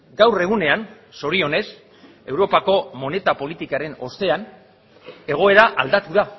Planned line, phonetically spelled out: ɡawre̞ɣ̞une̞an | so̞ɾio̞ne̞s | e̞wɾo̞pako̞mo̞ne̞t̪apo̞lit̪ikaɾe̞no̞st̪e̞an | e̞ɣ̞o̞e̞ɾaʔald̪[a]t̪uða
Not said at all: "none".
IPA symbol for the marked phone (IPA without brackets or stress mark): a